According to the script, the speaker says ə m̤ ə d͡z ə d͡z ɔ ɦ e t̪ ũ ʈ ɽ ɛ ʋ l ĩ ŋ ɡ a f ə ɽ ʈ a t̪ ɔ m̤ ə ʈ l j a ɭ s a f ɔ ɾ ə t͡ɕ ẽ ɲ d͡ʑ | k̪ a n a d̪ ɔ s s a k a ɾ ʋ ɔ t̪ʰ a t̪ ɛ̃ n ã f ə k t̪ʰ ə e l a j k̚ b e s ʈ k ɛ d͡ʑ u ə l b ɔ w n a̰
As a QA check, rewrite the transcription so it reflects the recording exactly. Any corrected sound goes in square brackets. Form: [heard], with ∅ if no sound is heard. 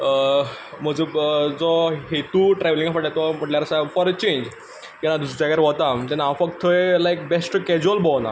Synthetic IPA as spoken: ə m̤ ə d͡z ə d͡z ɔ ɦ e t̪ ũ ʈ [ɾ] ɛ ʋ l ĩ ŋ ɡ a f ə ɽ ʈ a t̪ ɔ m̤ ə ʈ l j a [ɾ] s a f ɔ ɾ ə t͡ɕ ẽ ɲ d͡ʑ | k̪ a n a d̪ [u] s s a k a ɾ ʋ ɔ [t̪] a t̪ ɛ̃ n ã f ə k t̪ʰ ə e l a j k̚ b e s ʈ k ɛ d͡ʑ u ə l b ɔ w n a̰